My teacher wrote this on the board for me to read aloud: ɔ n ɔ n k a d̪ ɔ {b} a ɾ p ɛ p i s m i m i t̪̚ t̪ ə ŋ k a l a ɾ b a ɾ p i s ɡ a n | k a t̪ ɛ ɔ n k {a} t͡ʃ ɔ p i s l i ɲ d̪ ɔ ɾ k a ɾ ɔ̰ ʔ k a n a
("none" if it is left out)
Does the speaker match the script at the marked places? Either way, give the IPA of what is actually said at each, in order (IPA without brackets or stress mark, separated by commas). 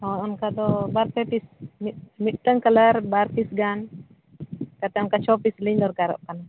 b, a